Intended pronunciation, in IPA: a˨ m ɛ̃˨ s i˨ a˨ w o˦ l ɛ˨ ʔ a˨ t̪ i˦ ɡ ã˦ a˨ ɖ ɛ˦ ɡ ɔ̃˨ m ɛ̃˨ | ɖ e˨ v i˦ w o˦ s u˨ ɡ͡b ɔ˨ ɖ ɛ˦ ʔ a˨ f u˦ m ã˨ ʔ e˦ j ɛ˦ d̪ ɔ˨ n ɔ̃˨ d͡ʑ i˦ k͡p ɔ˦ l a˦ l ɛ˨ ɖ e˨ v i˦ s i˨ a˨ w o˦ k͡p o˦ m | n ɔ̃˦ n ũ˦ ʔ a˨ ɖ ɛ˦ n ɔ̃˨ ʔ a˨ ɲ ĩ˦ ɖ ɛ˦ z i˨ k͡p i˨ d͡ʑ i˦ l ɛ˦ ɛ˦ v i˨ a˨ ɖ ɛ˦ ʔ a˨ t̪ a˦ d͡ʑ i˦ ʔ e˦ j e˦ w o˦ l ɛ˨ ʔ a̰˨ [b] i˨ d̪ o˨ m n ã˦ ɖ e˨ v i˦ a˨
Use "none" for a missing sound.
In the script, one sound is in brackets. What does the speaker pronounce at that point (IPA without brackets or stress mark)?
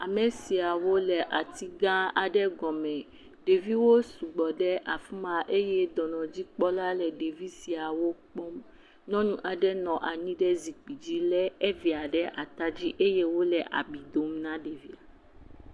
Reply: b